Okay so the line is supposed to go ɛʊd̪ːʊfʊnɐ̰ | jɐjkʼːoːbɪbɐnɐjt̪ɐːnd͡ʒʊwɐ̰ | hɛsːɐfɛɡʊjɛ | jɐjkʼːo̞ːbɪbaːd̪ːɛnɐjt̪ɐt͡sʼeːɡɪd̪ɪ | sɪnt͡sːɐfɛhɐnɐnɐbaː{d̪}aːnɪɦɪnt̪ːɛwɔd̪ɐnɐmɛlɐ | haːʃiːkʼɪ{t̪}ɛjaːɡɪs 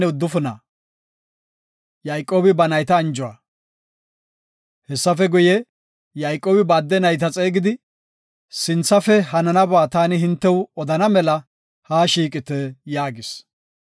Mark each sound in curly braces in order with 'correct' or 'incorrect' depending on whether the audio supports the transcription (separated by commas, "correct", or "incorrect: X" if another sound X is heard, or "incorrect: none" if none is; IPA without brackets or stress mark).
incorrect: t̪, correct